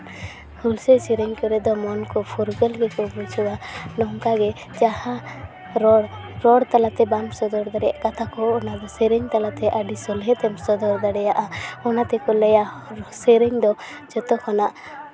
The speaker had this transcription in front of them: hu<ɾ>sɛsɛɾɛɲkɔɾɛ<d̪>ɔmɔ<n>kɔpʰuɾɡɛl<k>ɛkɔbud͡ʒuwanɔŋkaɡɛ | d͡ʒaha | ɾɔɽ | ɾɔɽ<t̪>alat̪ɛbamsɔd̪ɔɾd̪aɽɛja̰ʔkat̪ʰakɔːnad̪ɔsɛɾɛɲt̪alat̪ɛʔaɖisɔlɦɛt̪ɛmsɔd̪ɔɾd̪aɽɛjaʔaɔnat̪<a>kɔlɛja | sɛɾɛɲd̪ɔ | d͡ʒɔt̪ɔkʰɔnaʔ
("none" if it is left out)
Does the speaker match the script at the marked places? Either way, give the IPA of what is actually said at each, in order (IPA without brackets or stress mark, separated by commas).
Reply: l, d̪, n, ɡ, t̪, ɛ